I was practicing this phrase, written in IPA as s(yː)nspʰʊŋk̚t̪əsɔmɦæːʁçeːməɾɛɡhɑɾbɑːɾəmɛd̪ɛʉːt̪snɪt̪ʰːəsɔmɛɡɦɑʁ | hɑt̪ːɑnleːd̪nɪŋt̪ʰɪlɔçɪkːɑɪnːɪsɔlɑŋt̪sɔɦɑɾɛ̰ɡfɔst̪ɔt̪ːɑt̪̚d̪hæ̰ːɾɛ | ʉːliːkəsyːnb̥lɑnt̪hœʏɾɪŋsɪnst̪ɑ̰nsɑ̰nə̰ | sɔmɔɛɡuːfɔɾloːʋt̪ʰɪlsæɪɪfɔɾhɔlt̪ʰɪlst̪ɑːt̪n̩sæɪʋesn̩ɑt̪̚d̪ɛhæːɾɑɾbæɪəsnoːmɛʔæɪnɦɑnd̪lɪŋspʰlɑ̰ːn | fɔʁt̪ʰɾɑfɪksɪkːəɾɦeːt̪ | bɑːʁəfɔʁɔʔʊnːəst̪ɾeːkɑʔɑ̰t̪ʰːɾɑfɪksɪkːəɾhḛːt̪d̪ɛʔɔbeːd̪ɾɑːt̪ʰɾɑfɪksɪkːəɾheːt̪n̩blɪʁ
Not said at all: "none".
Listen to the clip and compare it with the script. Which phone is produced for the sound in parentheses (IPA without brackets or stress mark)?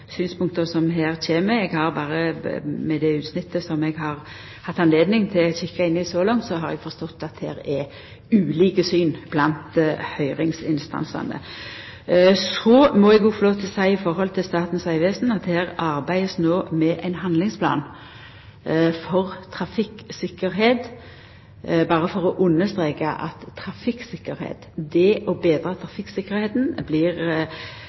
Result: yː